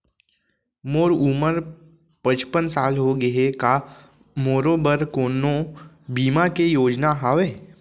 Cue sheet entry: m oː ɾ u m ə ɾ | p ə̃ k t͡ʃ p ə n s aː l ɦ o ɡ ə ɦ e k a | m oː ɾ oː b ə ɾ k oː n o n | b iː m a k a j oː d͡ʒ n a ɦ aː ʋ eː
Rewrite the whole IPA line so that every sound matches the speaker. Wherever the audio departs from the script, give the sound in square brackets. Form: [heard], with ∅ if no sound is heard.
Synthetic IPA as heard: m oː ɾ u m ə ɾ | p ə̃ [∅] t͡ʃ p ə n s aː l ɦ o ɡ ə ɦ e k a | m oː ɾ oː b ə ɾ k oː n o [∅] | b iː m a k [e] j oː d͡ʒ n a ɦ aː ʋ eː